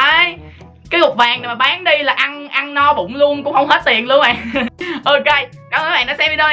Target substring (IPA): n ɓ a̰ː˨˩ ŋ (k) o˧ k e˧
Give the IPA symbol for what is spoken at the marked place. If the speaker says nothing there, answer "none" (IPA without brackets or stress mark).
ʔ